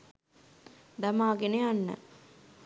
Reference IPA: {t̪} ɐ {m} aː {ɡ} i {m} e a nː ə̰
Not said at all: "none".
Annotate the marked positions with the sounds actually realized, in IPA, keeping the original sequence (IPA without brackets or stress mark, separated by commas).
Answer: d̪, m, ɡ, n